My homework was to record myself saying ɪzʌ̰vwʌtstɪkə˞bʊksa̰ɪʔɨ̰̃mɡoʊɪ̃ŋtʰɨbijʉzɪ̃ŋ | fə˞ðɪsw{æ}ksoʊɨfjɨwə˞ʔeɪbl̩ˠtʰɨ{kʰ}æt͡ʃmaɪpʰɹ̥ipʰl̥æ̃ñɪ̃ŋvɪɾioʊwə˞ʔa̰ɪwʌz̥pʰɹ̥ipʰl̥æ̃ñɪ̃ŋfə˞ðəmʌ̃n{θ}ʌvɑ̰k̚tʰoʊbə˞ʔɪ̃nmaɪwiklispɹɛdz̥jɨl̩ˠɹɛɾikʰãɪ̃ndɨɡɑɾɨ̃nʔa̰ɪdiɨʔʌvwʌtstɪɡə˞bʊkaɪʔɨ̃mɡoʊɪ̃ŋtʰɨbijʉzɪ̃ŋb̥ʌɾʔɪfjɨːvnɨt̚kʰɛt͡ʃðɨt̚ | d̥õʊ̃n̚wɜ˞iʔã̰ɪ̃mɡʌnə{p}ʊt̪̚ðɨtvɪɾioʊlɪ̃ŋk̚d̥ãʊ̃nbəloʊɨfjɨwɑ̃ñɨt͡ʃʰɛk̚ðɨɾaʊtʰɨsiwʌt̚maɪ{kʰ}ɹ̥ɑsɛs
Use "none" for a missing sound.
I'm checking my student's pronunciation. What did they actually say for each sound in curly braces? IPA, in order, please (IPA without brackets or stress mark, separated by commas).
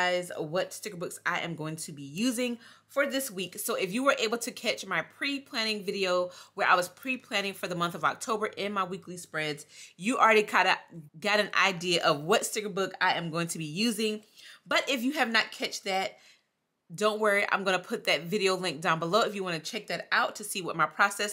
i, kʰ, θ, pʰ, pʰ